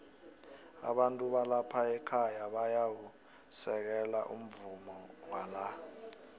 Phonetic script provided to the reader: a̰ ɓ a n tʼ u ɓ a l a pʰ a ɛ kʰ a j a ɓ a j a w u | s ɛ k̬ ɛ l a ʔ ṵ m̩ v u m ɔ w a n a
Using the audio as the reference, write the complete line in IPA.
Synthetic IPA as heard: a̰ ɓ a n tʼ u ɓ a l a pʰ a ɛ kʰ a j a ɓ a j a w u | s ɛ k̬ ɛ l a ʔ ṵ m̩ v u m ɔ w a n a